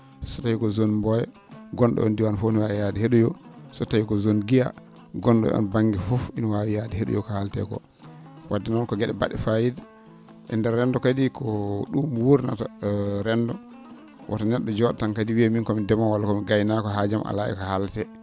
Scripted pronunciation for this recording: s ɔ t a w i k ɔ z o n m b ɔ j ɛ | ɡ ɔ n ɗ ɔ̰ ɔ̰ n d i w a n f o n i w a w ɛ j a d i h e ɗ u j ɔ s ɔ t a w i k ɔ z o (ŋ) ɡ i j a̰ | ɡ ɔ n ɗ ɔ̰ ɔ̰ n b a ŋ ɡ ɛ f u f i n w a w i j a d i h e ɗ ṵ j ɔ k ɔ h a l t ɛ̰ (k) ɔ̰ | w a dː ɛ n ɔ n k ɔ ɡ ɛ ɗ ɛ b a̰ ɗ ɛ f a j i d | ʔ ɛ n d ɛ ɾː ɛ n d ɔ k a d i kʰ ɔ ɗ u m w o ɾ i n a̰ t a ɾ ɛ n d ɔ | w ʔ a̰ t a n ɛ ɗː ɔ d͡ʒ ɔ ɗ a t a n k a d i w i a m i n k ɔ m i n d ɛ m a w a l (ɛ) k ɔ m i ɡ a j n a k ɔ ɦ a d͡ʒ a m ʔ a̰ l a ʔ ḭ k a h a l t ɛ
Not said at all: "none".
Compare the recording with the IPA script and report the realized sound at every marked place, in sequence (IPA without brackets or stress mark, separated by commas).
n, k, a